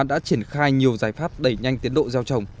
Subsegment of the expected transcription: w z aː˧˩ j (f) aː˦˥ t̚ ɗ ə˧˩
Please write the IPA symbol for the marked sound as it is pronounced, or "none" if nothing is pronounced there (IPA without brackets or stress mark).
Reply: f